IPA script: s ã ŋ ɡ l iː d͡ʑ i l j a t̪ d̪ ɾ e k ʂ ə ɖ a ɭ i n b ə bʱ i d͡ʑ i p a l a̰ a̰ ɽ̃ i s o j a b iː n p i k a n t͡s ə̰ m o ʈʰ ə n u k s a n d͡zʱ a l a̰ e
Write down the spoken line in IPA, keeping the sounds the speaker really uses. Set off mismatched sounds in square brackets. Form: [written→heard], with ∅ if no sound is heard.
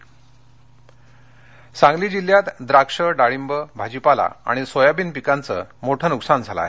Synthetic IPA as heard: s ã ŋ ɡ l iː d͡ʑ i l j a t̪ d̪ ɾ [e→a] k ʂ ə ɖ a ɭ i [n→m] b ə bʱ [i→a] d͡ʑ i p a l a̰ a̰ ɽ̃ i s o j a b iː n p i k a n t͡s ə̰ m o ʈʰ ə n u k s a n d͡zʱ a l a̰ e